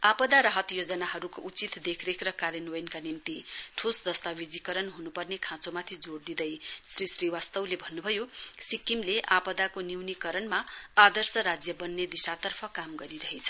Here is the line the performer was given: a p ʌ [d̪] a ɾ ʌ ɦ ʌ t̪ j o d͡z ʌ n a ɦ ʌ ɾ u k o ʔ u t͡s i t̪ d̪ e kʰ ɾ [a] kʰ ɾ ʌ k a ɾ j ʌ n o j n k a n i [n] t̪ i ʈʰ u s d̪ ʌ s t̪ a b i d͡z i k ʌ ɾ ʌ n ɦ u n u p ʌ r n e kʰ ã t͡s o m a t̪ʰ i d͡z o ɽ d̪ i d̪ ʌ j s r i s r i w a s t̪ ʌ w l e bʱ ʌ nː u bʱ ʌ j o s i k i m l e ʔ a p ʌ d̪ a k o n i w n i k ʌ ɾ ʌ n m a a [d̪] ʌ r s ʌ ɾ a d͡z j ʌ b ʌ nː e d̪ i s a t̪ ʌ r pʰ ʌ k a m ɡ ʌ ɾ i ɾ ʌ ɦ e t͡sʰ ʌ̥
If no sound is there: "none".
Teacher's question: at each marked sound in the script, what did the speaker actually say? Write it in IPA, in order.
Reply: d̪, e, m, d̪

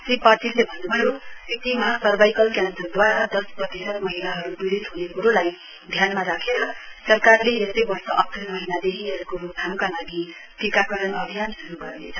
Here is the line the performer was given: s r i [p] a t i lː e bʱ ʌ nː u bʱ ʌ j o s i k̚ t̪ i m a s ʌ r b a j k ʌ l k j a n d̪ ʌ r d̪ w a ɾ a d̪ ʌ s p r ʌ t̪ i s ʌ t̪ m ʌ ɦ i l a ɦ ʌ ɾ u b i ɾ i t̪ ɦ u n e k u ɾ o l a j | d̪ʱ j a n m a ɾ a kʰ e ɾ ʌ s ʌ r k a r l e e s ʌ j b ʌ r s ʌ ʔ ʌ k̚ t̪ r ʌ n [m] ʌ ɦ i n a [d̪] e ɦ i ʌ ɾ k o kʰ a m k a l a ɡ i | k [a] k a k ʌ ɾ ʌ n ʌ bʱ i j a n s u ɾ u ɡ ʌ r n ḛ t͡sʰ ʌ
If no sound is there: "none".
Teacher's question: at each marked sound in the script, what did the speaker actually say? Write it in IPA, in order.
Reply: p, m, d̪, i

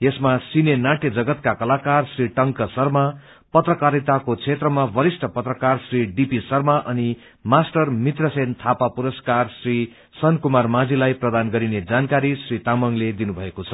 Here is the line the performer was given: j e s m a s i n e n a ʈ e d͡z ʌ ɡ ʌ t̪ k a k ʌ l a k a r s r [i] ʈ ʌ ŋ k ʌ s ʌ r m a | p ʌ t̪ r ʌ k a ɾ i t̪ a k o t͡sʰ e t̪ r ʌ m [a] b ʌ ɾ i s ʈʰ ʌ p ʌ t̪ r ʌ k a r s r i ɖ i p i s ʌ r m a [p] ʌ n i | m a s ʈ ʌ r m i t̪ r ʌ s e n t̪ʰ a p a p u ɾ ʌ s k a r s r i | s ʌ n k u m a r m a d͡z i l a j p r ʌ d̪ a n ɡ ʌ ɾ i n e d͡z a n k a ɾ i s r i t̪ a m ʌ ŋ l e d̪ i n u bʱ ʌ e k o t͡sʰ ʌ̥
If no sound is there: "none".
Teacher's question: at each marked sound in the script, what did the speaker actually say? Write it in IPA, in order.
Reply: i, a, ʔ

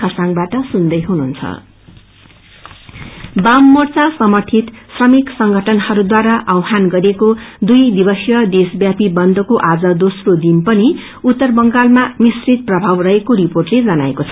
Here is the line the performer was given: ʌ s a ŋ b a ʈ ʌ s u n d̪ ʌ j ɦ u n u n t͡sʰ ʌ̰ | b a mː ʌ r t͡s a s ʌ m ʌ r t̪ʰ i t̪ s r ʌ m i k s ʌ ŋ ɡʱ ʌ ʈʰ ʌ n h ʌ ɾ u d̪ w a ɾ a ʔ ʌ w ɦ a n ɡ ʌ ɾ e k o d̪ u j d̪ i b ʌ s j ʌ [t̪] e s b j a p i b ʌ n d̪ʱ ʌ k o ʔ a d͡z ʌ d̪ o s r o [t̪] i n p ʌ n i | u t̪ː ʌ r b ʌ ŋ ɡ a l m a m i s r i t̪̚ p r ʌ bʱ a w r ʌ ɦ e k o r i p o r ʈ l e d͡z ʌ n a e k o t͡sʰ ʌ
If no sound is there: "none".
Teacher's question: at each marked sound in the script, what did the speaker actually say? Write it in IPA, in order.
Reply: d̪, d̪

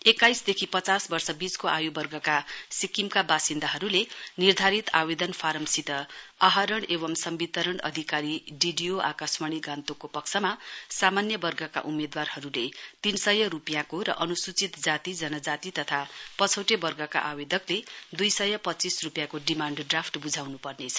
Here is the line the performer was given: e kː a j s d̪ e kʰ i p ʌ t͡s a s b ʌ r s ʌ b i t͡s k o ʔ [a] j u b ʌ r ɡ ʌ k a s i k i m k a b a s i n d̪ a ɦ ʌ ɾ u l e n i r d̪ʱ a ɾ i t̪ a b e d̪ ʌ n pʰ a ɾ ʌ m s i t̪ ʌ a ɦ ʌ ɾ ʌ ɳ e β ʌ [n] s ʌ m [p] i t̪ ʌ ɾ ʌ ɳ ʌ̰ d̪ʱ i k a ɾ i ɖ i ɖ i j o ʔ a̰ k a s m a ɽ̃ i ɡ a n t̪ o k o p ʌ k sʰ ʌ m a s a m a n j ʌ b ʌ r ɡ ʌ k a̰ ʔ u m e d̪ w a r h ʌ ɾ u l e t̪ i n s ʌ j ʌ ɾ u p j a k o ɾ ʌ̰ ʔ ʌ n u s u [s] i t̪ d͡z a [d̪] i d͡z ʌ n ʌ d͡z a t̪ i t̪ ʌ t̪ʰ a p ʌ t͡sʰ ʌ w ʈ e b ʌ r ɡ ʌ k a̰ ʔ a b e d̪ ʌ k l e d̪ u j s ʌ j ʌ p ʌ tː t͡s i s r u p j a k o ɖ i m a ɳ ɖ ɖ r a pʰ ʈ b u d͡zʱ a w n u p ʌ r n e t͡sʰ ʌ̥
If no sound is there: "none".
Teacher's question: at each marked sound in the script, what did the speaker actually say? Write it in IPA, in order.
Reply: a, m, b, t͡s, t̪

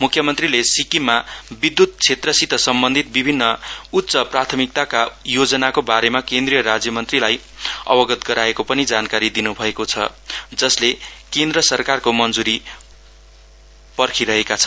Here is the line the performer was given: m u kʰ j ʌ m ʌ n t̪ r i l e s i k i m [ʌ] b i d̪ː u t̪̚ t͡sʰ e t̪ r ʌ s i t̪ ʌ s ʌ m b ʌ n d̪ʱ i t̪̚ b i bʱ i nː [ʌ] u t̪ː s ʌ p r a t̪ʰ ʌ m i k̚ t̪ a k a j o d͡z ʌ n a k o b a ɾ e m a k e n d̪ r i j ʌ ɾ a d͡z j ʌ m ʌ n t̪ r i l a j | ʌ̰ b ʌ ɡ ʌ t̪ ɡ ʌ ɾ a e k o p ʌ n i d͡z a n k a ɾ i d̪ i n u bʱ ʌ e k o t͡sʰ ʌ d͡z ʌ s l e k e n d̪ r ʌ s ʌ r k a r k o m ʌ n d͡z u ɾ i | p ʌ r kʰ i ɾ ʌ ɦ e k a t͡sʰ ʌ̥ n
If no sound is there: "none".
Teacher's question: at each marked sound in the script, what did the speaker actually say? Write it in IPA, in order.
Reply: a, ʌ

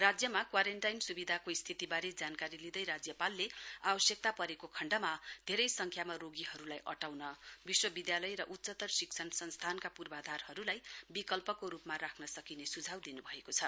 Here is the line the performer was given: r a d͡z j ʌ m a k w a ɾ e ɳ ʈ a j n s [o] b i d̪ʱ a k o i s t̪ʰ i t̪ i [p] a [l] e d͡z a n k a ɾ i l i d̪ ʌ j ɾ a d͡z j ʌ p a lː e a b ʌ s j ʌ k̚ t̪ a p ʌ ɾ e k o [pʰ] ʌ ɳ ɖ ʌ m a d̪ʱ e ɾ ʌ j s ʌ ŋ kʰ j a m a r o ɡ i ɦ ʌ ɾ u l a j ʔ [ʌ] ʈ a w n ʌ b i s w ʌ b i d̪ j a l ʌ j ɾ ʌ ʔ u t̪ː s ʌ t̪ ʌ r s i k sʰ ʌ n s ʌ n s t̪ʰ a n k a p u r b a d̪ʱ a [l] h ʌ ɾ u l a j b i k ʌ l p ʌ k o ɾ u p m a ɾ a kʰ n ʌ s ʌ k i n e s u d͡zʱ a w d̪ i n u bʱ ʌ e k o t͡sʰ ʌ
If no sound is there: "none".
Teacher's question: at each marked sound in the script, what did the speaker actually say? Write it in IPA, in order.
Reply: u, b, ɾ, kʰ, ʌ, r

